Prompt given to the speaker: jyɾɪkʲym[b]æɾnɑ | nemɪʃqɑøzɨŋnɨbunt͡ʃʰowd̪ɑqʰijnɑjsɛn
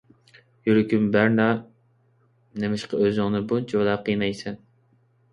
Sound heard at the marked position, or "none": b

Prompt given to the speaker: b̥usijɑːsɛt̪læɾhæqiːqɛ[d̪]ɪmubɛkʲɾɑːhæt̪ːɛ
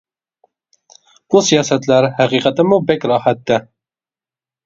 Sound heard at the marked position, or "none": t̪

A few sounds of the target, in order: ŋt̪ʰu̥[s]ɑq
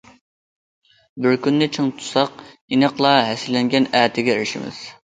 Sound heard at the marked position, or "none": s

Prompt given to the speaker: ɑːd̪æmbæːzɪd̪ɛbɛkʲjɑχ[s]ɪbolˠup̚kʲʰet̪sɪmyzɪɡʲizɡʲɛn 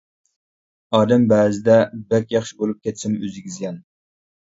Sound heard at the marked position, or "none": ʃ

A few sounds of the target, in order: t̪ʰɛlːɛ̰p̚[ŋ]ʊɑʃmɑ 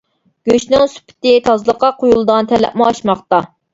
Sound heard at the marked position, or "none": m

